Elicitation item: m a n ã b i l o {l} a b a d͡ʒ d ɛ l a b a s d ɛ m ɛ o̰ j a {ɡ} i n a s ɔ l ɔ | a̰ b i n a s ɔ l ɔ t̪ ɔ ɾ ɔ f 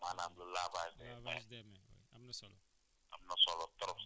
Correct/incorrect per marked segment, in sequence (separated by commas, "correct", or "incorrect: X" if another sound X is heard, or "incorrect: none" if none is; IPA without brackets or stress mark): correct, incorrect: b